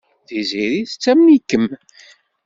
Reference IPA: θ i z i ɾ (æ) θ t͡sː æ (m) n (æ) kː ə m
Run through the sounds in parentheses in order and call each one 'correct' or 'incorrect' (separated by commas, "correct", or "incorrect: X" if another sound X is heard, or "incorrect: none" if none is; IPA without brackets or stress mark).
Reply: incorrect: i, correct, incorrect: i